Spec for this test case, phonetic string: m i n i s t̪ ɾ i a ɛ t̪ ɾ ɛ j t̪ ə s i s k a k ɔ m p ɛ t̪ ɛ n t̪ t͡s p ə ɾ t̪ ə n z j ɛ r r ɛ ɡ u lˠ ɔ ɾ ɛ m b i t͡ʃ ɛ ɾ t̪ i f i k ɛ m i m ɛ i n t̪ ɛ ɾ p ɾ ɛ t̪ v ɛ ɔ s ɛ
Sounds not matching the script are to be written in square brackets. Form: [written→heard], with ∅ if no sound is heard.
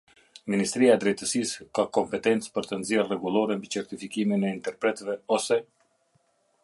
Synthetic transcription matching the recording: m i n i s t̪ ɾ i a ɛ [t̪→d̪] ɾ ɛ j t̪ ə s i s k a k ɔ m p ɛ t̪ ɛ n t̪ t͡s p ə ɾ t̪ ə n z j ɛ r r ɛ ɡ u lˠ ɔ ɾ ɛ m b i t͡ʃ ɛ ɾ t̪ i f i k [ɛ→i] m i [m→n] ɛ i n t̪ ɛ ɾ p ɾ ɛ t̪ v ɛ ɔ s ɛ